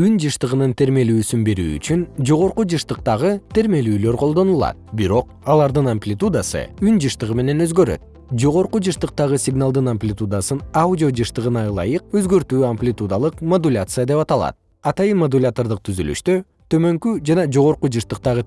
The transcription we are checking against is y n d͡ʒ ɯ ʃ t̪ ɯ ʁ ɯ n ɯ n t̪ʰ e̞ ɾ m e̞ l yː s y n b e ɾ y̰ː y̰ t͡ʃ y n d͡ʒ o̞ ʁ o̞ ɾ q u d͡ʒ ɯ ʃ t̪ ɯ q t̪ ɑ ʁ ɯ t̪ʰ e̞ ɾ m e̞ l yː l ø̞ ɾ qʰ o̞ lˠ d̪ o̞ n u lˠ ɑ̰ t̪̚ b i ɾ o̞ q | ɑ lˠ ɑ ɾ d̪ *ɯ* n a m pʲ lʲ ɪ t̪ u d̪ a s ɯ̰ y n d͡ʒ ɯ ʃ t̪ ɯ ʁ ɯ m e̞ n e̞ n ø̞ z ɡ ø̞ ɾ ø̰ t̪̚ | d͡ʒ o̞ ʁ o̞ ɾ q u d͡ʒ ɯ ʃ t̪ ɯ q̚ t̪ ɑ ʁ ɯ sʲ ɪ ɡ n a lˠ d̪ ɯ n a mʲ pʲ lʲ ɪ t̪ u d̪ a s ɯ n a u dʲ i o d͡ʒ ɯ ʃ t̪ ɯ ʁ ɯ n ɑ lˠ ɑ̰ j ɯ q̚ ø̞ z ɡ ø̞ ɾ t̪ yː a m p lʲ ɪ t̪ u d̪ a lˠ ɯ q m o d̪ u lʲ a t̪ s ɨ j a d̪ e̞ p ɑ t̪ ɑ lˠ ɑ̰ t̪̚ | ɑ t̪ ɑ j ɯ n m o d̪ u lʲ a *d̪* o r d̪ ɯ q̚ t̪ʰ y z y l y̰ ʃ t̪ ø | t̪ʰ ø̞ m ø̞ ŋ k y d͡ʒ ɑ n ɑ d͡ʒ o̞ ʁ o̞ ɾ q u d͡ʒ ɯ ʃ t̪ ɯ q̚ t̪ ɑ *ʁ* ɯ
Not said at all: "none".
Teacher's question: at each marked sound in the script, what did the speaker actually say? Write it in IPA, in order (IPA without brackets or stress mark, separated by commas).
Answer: ɯ, t̪, ʁ